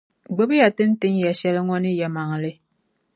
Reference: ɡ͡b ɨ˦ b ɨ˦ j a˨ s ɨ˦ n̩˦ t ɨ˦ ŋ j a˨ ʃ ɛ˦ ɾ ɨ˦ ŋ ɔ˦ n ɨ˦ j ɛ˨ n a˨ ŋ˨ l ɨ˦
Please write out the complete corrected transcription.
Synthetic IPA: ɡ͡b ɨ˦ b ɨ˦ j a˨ t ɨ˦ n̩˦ t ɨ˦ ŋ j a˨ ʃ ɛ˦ l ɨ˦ ŋ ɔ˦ n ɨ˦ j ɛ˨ m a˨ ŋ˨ l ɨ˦